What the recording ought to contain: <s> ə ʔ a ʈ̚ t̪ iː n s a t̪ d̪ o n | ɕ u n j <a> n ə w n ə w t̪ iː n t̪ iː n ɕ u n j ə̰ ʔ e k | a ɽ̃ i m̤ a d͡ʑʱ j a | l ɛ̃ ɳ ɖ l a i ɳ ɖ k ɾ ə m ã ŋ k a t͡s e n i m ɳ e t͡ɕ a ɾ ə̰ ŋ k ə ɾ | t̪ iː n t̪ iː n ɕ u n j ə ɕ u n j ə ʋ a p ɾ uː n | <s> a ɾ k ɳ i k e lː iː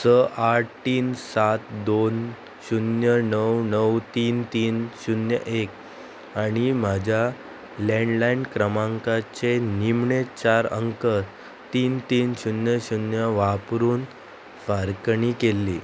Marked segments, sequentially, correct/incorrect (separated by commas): correct, incorrect, incorrect